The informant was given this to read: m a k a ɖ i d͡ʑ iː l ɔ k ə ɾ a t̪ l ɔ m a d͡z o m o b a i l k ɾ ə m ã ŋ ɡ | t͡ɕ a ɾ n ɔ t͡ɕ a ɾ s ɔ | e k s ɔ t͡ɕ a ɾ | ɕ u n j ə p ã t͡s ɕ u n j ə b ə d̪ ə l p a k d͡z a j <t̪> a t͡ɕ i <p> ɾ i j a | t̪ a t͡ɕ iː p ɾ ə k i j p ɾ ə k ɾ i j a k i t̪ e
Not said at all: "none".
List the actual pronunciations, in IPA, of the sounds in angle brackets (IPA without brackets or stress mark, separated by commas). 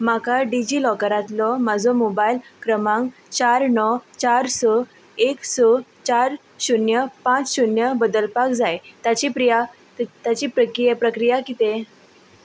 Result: t̪, p